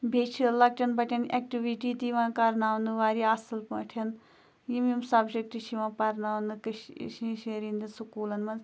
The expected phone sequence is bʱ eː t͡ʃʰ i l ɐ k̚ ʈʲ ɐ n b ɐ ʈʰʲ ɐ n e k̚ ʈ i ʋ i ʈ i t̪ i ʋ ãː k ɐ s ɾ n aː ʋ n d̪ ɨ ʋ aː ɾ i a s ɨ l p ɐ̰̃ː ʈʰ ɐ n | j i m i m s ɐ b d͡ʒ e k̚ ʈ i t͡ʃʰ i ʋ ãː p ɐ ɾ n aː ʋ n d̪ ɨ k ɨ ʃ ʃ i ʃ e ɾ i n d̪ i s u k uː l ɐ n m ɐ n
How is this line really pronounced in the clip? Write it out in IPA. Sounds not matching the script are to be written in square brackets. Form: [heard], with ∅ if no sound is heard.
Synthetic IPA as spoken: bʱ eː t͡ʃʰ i l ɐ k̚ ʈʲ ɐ n b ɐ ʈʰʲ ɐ n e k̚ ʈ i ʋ i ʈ i t̪ i ʋ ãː k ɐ [∅] ɾ n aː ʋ n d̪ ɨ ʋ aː ɾ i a s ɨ l p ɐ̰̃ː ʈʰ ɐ n | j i m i m s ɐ b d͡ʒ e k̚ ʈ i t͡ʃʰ i ʋ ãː p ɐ ɾ n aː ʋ n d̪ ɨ k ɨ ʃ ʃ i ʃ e ɾ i n d̪ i s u k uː l ɐ n m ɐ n